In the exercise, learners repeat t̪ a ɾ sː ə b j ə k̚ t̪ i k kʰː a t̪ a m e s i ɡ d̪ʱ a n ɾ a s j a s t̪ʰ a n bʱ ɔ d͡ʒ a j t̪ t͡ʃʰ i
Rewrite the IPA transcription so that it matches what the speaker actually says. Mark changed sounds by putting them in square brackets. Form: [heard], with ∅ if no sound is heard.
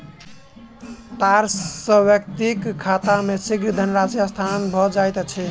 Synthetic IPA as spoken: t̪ a ɾ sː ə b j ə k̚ t̪ i k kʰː a t̪ a m e s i ɡ d̪ʱ [ə] n ɾ a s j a s t̪ʰ a n bʱ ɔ d͡ʒ a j t̪ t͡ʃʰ [ɛ]